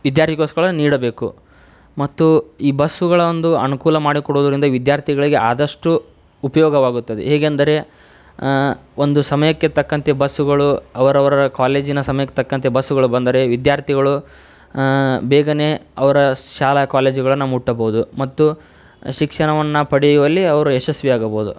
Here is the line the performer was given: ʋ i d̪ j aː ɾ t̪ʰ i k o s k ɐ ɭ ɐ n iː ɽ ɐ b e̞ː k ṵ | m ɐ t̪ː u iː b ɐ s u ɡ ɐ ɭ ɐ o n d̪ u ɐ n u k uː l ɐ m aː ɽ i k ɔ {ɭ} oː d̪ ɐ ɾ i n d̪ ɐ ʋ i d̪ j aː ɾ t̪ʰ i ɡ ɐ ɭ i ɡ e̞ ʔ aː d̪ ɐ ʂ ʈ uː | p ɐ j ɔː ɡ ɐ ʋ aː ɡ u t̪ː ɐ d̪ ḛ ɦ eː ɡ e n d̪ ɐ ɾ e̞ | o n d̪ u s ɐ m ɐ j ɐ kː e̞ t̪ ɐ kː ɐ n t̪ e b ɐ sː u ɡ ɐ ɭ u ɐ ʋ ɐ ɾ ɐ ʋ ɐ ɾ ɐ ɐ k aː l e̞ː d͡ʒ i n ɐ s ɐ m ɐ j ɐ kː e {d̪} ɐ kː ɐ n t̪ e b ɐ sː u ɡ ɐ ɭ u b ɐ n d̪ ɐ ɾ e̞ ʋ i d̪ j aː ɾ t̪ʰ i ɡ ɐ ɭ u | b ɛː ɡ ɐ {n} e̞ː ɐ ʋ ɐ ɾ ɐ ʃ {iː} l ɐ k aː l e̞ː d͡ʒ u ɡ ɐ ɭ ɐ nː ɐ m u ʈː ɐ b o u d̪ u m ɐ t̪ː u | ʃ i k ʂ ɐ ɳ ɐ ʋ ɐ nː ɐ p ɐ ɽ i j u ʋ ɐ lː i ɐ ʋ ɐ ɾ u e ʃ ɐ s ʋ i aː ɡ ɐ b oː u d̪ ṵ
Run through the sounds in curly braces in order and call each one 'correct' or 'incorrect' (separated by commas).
incorrect, incorrect, correct, incorrect